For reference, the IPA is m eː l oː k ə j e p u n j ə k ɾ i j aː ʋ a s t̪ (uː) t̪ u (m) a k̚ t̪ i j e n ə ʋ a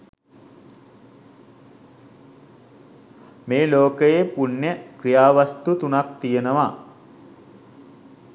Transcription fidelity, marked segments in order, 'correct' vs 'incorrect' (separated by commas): incorrect, incorrect